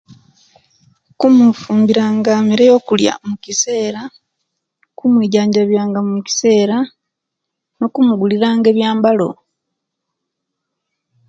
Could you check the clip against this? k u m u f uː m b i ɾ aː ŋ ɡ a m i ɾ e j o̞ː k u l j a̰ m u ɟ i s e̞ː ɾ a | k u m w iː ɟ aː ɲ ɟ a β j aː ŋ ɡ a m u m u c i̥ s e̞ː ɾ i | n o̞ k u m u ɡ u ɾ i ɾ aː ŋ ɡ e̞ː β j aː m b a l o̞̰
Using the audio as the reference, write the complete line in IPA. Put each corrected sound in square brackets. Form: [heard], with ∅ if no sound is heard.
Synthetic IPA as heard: k u m u f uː m b i ɾ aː ŋ ɡ a m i ɾ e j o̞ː k u l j a̰ m u [c] i s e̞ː ɾ a | k u m w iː ɟ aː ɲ ɟ a β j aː ŋ ɡ a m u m u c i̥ s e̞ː ɾ [a] | n o̞ k u m u ɡ u [l] i ɾ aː ŋ ɡ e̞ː β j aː m b a l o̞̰

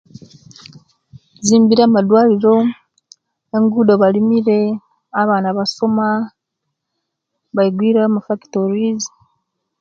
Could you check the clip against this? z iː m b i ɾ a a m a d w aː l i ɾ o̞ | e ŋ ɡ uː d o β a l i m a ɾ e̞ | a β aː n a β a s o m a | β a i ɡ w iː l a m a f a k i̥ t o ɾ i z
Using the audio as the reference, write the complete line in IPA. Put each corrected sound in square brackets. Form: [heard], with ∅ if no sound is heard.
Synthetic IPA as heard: z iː m b i ɾ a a m a d w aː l i ɾ o̞ | e ŋ ɡ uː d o β a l i m [i] ɾ e̞ | a β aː n a β a s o m a | β a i ɡ w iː [ɾ] a m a f a k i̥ t o ɾ i z

